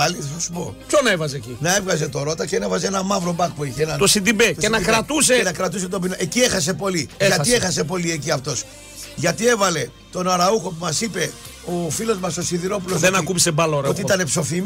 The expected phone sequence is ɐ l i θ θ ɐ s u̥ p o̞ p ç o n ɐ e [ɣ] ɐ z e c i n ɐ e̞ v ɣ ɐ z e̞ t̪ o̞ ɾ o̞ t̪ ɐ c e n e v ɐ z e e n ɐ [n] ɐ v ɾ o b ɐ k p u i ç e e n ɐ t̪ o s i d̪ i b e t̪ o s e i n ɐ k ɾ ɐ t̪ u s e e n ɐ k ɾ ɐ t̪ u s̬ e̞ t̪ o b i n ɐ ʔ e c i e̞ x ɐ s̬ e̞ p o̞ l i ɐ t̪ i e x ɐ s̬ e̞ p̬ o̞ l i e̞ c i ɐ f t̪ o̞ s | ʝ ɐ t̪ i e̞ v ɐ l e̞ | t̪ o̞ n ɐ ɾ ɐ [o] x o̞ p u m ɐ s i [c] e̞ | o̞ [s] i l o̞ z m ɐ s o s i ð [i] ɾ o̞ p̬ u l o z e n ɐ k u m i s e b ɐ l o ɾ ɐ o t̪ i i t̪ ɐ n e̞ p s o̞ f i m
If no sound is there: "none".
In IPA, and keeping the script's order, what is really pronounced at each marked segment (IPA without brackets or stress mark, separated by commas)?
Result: v, m, u, p, f, i